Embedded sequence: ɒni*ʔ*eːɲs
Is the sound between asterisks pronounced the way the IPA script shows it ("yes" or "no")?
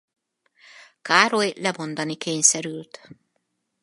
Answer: no